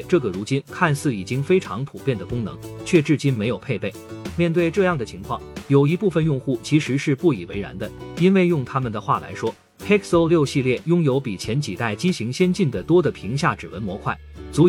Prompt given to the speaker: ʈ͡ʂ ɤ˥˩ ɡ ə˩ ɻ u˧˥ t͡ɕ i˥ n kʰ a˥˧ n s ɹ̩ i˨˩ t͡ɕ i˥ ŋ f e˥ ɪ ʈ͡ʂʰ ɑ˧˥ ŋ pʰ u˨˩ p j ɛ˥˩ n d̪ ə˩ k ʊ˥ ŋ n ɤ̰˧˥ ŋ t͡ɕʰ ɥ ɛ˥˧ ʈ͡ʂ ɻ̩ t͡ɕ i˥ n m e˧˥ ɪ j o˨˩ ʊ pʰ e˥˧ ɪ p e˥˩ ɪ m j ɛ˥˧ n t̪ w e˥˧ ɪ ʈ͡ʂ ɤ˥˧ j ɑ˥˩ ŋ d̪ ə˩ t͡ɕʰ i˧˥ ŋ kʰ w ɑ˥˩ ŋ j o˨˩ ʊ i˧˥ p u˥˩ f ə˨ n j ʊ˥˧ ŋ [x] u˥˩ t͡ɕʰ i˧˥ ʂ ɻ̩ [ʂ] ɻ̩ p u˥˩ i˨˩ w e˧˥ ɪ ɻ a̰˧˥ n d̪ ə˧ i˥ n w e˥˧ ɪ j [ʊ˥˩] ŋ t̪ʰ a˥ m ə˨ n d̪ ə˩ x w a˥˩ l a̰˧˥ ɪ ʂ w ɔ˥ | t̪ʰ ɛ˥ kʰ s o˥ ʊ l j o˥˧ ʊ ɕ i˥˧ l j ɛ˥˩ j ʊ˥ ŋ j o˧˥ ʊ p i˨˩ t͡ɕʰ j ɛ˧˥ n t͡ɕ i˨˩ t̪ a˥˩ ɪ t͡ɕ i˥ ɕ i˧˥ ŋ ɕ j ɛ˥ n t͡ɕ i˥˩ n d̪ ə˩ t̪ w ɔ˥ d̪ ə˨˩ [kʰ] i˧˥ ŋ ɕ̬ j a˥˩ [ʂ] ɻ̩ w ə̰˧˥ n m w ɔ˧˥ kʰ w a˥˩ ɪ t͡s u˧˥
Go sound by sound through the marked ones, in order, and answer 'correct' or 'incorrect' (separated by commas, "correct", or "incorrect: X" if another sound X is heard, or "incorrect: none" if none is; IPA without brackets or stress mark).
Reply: correct, correct, correct, incorrect: pʰ, incorrect: ʈ͡ʂ